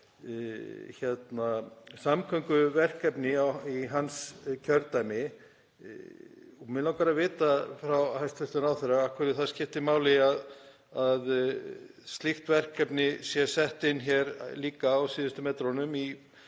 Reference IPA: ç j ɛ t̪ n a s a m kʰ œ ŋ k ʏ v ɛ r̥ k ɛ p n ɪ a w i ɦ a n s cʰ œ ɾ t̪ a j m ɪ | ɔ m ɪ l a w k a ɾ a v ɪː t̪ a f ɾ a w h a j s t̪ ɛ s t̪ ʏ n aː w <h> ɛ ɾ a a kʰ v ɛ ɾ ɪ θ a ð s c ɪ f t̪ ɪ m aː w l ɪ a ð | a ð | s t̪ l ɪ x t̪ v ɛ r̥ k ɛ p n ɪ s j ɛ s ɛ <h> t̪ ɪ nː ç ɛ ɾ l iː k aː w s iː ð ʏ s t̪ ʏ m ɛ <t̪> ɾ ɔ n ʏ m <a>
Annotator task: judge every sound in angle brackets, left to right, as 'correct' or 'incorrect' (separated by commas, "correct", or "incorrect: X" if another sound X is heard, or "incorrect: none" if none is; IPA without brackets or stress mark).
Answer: incorrect: θ, correct, correct, incorrect: i